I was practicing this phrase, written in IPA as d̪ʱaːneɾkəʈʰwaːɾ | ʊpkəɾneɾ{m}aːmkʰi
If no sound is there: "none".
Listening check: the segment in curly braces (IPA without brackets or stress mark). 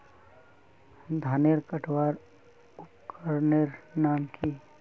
n